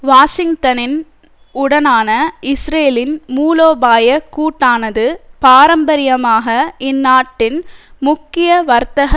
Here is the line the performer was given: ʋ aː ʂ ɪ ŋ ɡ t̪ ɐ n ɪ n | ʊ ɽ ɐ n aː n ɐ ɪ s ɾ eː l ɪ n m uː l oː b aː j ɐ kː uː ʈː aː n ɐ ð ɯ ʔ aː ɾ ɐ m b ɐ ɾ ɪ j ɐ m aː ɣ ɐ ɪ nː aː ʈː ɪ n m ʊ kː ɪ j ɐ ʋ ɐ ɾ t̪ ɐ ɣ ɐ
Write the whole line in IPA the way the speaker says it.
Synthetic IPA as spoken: ʋ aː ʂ ɪ ŋ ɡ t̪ ɐ n ɪ n | ʊ ɽ ɐ n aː n ɐ ɪ s ɾ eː l ɪ n m uː l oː b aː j ɐ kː uː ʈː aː n ɐ ð ɯ p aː ɾ ɐ m b ɐ ɾ ɪ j ɐ m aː ɣ ɐ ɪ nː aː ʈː ɪ n m ʊ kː ɪ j ɐ ʋ ɐ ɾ t̪ ɐ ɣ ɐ